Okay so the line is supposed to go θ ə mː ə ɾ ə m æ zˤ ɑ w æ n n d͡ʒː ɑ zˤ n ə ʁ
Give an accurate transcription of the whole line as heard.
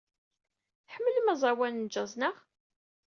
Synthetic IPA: ħ ə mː ə l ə m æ zˤ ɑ w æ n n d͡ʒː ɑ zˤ n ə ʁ